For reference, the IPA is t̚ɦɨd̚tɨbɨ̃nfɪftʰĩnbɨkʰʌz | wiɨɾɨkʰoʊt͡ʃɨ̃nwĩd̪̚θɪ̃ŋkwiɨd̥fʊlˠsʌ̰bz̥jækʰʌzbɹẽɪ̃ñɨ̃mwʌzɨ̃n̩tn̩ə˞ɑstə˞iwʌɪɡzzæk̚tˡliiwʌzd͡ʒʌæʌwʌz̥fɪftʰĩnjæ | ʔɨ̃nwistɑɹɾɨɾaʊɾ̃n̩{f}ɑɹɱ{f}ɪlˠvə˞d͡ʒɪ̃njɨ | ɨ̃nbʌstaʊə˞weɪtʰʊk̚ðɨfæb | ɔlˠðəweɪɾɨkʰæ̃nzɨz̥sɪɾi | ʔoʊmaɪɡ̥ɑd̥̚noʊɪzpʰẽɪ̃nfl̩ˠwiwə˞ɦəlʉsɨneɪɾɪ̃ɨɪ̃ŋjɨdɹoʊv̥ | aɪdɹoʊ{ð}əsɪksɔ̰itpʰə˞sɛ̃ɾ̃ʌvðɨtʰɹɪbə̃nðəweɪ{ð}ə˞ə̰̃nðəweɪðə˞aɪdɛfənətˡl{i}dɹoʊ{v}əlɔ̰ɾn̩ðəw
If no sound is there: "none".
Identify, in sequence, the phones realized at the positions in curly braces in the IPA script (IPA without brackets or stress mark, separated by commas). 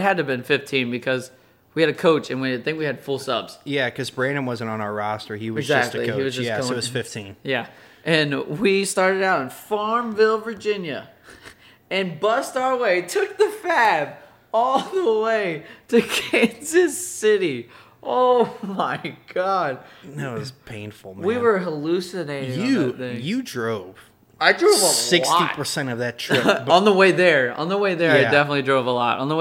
f, v, v, ð, i, v